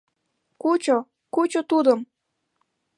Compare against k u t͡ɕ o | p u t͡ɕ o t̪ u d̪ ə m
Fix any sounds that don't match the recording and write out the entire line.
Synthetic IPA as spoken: k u t͡ɕ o | k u t͡ɕ o t̪ u d̪ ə m